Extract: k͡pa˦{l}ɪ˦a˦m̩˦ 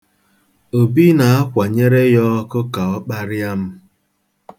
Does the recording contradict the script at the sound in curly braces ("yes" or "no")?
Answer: yes